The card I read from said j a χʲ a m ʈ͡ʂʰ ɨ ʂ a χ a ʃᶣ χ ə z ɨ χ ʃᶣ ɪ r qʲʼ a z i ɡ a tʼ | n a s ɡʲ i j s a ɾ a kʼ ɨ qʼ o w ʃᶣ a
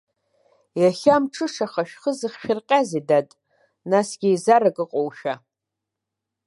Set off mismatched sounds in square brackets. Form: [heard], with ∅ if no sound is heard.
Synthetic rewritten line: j a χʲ a m ʈ͡ʂʰ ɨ ʂ a χ a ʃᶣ χ ə z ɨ χ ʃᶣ ɪ r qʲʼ a z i [d] a tʼ | n a s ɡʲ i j [z] a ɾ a kʼ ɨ qʼ o w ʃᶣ a